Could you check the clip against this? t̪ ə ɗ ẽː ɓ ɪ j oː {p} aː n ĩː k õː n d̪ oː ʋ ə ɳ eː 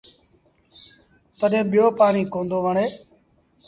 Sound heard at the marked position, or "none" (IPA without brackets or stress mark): p